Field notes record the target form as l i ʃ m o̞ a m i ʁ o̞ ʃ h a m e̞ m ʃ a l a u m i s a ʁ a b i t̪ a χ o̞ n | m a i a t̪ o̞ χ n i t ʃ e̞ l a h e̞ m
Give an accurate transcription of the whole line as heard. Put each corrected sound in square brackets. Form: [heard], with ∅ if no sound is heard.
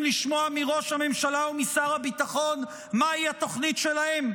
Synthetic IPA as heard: l i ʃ m o̞ a m i ʁ o̞ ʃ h a m e̞ m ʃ a l a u m i s a ʁ a b i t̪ a χ o̞ n | m a i a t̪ o̞ χ n i t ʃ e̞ l a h e̞ m

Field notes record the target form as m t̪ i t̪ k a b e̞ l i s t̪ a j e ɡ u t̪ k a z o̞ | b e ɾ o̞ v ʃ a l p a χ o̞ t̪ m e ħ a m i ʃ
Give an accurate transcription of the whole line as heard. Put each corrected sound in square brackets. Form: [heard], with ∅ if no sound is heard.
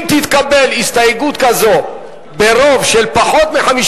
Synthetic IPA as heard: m t̪ i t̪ k a b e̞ l i s t̪ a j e ɡ u t̪ k a z o̞ | b e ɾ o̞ v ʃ [e] l p a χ o̞ t̪ m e ħ a m i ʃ

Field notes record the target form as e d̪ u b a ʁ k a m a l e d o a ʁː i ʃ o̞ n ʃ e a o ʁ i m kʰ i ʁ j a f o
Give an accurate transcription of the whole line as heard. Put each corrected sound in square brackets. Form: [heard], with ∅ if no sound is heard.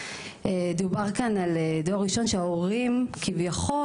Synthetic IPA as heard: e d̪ u b a ʁ k a [n] a l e d o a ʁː i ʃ o̞ n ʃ e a o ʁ i m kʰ i [v] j a [χ] o

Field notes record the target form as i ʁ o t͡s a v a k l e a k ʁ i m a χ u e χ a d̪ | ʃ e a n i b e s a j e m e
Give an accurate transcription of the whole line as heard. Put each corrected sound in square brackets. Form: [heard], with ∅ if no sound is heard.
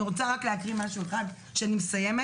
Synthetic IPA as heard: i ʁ o t͡s a [ʁ] a k l e a k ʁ i m a [ʃ] u e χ a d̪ | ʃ e a n i [m] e s a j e m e

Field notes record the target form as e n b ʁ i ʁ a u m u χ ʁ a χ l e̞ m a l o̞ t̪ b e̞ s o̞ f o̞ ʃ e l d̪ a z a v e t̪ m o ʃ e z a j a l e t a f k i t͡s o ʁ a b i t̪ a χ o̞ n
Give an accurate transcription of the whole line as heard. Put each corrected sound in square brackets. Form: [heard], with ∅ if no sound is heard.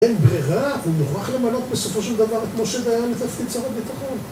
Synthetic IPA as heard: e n b ʁ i ʁ a u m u χ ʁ a χ l e̞ m a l o̞ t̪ b e̞ s o̞ f o̞ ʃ e l d̪ a [v] a [ʁ] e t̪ m o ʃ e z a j a l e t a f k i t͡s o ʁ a b i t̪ a χ o̞ n

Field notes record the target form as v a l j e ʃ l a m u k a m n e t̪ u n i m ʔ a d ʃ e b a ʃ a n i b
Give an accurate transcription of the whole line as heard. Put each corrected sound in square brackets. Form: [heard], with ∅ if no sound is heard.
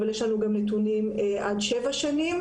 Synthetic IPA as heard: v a l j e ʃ l a [n] u [ɡ] a m n e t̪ u n i m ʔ a d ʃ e [v] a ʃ a n i [m]

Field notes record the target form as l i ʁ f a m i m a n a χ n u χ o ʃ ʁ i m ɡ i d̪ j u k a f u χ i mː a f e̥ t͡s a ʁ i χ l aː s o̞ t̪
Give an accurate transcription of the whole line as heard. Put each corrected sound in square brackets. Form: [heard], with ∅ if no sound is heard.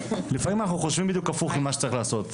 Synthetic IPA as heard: l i [∅] f a m i m a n a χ n u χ o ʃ [v] i m [b] i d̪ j u k a f u χ i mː a [ʃ] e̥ t͡s a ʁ i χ l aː s o̞ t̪

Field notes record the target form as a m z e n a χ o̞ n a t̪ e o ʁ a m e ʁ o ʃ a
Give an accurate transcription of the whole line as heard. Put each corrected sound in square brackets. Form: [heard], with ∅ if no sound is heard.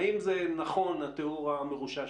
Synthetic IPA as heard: [i] m z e n a χ o̞ n a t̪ e [u] ʁ a m e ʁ [u] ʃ a

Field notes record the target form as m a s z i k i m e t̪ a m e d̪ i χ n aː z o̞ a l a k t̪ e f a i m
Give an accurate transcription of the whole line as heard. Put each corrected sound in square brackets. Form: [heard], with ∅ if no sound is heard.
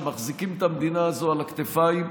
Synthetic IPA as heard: m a [χ] z i k i m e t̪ a m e d̪ i [∅] n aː z o̞ a l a k t̪ e f a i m

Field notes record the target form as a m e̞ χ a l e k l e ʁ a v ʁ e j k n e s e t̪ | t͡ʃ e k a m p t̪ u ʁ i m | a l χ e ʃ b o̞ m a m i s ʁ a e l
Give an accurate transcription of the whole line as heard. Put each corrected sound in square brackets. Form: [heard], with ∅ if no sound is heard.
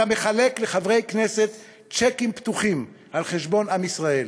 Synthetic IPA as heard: a m e̞ χ a l e k l e [χ] a v ʁ e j k n e s e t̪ | t͡ʃ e k [i] m p t̪ u [χ] i m | a l χ e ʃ b o̞ [n] a m i s ʁ a e l

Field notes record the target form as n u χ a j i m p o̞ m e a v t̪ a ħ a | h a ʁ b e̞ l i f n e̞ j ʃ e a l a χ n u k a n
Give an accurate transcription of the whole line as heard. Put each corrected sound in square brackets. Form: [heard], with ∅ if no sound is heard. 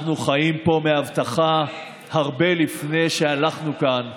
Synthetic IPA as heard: n u χ a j i m p o̞ m e a v t̪ a [χ] a | h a ʁ b e̞ l i f n e̞ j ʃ e a l a χ n u k a n

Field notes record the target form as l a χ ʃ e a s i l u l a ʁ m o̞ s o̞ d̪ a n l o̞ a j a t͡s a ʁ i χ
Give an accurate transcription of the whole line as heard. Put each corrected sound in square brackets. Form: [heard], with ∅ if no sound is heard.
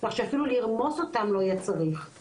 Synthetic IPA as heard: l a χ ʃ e a [f] i l u l [i] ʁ m o̞ s o̞ [t̪] a [m] l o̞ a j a t͡s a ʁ i χ

